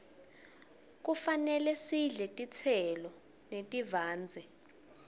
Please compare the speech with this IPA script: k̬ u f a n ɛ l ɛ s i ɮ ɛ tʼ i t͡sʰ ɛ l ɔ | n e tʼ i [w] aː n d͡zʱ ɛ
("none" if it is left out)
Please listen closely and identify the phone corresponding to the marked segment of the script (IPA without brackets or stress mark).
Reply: v